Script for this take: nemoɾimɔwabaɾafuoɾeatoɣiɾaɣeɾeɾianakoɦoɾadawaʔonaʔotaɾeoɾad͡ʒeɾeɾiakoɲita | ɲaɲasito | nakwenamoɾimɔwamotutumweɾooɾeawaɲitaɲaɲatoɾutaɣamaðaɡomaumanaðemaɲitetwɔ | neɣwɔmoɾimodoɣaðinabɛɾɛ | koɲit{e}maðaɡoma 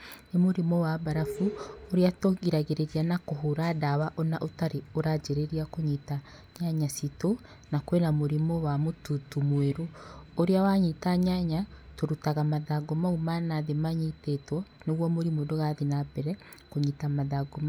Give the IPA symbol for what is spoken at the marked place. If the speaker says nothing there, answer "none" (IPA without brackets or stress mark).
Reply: a